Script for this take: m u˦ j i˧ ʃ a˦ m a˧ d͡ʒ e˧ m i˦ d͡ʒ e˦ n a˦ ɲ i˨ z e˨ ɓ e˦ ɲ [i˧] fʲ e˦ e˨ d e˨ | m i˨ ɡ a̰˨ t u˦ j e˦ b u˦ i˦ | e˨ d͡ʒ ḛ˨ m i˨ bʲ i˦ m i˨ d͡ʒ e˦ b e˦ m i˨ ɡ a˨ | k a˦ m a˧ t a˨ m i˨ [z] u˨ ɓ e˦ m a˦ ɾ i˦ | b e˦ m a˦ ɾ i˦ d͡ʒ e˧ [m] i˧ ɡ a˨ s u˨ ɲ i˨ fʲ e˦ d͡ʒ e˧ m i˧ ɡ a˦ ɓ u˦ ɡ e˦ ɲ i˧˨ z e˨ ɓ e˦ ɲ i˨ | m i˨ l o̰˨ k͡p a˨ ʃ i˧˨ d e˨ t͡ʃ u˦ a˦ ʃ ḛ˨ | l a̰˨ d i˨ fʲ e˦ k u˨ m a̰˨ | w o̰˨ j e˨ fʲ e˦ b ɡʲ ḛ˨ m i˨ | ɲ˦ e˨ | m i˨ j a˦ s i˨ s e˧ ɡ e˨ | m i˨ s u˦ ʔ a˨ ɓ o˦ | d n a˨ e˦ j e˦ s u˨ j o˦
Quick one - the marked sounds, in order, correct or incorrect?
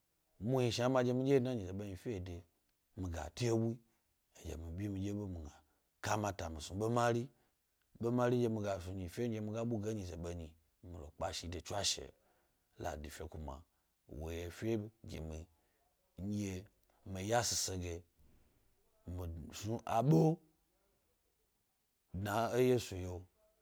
correct, incorrect, correct

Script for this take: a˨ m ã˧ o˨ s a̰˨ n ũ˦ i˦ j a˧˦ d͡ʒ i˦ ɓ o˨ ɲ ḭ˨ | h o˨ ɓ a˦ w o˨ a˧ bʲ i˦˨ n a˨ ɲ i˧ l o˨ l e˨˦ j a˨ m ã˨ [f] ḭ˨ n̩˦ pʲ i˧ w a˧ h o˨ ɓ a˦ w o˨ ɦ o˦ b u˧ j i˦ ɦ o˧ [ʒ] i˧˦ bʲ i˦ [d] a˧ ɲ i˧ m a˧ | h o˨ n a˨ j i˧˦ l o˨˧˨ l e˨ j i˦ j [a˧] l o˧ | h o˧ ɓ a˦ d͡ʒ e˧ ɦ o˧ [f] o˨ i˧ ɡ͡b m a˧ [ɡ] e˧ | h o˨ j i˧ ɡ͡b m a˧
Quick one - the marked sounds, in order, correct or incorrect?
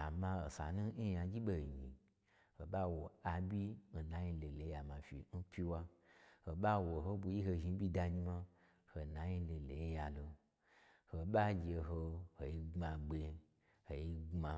correct, correct, correct, correct, incorrect, incorrect

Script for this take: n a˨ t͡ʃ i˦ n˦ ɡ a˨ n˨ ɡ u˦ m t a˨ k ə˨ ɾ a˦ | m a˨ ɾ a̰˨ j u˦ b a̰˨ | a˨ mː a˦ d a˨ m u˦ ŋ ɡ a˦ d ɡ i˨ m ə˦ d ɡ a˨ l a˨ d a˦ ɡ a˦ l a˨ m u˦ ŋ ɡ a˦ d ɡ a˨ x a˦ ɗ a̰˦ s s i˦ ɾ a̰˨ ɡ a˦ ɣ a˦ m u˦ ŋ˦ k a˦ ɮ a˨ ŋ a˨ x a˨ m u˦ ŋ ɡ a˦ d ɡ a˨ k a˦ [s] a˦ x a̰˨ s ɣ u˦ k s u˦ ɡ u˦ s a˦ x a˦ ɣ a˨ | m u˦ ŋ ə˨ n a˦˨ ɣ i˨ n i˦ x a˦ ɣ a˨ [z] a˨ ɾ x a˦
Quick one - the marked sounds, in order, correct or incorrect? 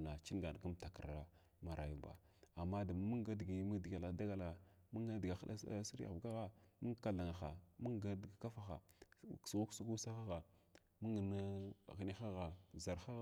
incorrect, correct

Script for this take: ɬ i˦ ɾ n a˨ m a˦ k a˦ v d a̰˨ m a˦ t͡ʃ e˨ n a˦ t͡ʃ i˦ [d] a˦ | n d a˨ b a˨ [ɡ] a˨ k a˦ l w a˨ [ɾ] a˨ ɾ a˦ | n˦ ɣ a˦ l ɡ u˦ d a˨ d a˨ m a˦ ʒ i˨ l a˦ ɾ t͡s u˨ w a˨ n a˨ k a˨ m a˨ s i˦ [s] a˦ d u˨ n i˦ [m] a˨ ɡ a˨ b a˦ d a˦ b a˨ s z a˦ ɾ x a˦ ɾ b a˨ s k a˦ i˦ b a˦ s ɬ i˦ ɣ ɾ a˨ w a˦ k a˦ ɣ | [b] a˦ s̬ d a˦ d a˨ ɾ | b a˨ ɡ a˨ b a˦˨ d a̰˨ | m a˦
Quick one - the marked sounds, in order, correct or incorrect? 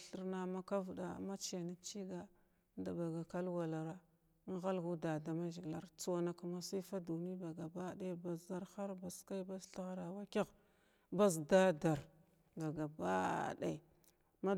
incorrect, correct, incorrect, incorrect, incorrect, correct

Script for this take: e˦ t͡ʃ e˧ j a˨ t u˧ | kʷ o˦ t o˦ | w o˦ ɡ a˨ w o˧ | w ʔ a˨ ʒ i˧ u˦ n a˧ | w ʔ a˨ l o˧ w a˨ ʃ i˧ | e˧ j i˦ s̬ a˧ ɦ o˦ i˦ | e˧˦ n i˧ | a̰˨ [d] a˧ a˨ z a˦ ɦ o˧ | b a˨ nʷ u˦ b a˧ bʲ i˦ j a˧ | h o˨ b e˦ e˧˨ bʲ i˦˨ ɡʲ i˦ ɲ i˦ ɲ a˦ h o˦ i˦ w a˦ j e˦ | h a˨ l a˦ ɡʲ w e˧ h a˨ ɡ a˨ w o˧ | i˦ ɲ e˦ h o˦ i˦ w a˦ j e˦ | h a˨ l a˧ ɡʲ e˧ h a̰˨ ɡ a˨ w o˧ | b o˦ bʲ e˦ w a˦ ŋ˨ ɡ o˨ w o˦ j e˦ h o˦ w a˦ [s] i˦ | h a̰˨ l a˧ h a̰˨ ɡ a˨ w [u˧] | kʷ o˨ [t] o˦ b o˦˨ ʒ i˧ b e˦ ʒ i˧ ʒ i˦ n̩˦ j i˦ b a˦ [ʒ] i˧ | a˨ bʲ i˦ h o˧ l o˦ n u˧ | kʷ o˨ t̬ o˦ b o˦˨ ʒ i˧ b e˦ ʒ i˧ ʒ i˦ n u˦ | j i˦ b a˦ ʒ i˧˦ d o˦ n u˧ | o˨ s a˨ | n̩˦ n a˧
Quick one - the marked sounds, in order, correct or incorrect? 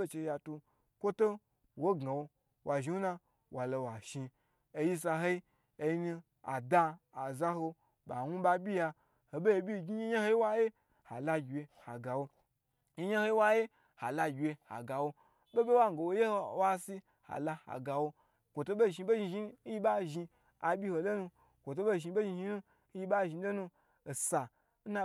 correct, correct, incorrect, correct, correct

